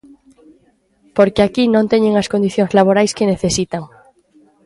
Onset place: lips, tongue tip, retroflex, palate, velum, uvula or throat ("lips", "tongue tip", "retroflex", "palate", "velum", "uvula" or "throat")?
lips